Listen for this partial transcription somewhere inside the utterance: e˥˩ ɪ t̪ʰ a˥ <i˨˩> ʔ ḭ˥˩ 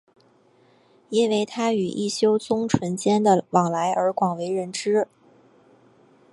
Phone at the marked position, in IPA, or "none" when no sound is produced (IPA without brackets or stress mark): y˨˩